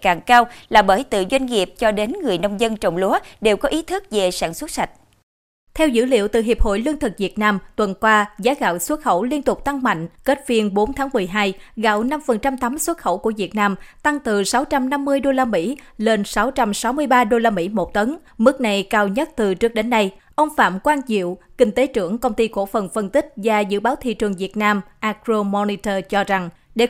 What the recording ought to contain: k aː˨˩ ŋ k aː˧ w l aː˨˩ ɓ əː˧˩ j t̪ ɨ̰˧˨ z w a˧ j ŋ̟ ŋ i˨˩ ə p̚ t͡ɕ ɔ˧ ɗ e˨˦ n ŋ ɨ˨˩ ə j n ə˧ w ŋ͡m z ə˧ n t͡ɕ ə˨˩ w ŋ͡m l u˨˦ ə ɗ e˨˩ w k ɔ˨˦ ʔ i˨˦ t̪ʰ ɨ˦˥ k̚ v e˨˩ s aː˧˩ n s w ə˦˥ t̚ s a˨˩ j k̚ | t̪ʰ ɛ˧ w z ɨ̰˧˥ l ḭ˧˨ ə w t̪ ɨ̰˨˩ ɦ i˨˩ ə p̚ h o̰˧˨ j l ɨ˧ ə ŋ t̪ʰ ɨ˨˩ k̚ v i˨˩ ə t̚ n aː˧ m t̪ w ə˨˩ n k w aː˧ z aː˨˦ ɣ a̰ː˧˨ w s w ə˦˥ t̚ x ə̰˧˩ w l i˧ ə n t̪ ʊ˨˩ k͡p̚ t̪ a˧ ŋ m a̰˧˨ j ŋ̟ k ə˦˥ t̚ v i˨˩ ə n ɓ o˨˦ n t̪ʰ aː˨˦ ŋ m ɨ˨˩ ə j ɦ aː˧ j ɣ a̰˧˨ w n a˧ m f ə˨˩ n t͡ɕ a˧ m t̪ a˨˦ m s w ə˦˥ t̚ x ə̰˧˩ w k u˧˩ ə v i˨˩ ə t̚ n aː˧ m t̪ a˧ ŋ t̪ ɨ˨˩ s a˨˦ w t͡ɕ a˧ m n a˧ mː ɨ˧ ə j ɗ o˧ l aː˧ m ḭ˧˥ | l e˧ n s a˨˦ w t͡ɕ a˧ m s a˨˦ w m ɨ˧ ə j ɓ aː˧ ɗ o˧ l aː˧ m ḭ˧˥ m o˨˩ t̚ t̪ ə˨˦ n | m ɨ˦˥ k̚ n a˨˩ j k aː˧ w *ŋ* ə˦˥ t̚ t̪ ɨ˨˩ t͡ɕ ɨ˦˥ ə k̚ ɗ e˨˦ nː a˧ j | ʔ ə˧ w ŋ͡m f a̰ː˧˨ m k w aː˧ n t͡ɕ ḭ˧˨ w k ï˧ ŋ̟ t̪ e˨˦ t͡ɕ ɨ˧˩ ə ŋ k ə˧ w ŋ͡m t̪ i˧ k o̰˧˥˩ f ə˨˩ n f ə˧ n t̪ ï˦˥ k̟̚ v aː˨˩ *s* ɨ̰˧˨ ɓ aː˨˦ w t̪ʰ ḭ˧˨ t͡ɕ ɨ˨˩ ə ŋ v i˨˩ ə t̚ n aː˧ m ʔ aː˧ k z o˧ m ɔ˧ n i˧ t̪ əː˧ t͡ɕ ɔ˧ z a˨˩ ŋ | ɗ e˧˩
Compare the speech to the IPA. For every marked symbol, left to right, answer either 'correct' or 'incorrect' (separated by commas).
incorrect, incorrect